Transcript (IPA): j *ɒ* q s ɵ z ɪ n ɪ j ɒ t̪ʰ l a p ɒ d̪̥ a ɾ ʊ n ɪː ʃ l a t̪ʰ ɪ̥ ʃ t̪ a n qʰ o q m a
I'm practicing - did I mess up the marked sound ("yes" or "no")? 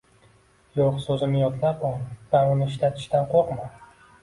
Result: yes